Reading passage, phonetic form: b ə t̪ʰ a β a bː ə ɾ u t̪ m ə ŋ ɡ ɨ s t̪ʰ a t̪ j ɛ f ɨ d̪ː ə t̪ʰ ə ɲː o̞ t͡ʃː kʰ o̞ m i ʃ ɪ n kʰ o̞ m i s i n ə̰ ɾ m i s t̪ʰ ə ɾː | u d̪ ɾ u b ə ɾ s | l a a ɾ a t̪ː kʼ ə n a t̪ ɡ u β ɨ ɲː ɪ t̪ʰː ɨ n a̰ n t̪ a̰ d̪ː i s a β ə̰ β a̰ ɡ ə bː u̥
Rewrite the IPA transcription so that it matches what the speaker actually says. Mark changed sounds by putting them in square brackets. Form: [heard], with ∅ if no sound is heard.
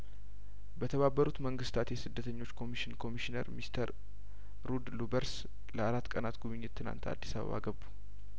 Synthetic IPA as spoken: b ə t̪ʰ [ə] β a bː ə ɾ u t̪ m ə ŋ ɡ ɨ s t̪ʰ a t̪ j ɛ [s] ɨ d̪ː ə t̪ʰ ə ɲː o̞ t͡ʃː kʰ o̞ m i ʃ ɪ n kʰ o̞ m i [ʃ] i n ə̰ ɾ m i s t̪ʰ ə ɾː | u d̪ [l] u b ə ɾ s | l [ə] a ɾ a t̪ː kʼ ə n a t̪ ɡ u β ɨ ɲː ɪ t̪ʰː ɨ n a̰ n t̪ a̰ d̪ː i s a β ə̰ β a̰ ɡ ə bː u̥